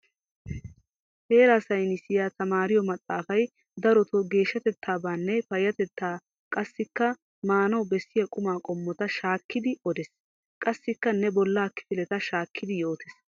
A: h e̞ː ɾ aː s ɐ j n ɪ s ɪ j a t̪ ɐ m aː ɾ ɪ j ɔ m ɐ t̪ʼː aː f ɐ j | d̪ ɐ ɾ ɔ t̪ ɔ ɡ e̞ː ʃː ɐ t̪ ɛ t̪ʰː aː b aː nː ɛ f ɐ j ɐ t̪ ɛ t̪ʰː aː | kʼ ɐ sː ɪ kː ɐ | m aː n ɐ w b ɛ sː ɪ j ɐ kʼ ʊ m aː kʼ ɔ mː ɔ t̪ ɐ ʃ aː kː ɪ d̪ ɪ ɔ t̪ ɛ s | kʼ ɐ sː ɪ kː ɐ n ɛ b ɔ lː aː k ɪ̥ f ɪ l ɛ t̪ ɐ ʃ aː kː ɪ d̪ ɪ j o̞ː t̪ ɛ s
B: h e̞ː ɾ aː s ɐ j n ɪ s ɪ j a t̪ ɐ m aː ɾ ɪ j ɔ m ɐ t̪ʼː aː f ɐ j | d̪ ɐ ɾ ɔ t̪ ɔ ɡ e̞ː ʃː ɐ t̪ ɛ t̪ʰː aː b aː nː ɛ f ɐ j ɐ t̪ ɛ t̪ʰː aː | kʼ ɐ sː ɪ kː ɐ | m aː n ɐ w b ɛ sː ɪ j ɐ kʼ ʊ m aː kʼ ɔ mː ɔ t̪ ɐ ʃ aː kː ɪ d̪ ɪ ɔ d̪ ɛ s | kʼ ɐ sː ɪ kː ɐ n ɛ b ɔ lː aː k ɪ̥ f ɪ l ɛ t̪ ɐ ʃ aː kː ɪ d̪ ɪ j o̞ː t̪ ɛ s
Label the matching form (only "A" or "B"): B